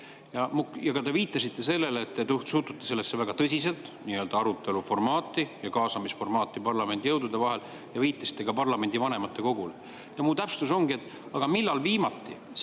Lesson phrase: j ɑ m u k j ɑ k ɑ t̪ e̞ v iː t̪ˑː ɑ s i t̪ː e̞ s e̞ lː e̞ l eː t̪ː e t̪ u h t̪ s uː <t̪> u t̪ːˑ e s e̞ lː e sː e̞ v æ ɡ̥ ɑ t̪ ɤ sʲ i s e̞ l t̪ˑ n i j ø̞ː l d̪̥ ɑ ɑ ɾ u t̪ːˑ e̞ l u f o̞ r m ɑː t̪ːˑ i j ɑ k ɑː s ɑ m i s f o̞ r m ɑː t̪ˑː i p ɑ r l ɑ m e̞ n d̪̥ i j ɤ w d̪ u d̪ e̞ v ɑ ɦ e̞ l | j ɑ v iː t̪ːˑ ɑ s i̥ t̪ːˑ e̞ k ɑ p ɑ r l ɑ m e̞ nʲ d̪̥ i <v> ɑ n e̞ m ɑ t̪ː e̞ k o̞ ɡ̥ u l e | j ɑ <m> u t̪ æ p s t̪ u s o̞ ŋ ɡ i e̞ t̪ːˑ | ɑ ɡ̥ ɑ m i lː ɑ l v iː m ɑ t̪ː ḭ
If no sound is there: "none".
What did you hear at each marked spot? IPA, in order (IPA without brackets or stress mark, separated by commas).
t̪, v, m